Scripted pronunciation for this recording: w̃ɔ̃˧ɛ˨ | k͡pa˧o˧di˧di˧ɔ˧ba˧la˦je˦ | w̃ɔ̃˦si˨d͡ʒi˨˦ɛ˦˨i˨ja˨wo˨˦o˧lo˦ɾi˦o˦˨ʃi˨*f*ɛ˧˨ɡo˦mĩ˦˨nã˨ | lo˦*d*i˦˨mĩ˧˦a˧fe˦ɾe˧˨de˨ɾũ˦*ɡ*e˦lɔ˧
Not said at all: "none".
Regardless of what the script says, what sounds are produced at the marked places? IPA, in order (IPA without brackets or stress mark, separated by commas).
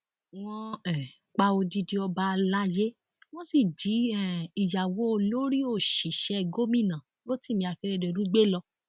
ʃ, t, ɡ͡b